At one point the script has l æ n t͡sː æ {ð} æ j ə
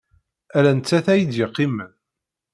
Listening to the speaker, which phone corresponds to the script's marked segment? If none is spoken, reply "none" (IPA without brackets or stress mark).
θ